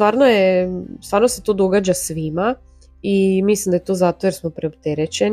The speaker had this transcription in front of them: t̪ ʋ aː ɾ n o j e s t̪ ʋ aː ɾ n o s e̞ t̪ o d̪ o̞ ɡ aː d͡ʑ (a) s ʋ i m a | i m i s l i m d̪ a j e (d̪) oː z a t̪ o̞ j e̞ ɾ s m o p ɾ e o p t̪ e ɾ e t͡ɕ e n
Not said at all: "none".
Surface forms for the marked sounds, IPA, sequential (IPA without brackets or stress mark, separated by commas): a, t̪